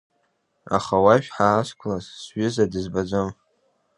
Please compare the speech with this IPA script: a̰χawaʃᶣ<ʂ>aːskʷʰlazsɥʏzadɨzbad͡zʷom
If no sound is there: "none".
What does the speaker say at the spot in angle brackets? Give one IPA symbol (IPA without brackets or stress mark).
ħ